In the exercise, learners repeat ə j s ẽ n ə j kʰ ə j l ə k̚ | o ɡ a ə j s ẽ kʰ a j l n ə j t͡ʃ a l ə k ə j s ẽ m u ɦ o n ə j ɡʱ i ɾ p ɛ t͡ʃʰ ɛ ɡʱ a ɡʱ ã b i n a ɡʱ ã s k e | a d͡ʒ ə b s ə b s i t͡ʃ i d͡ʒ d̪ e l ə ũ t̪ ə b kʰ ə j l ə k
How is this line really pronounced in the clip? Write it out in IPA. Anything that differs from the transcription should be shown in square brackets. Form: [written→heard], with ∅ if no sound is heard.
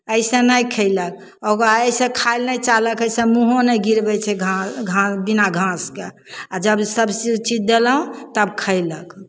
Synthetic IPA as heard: ə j s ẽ n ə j kʰ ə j l ə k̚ | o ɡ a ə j s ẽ kʰ a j l n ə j t͡ʃ a l ə k ə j s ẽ m u ɦ o n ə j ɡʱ i ɾ [p→b] ɛ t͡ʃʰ ɛ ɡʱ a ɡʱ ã b i n a ɡʱ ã s k e | a d͡ʒ ə b s ə b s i t͡ʃ i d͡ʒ d̪ e l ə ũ t̪ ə b kʰ ə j l ə k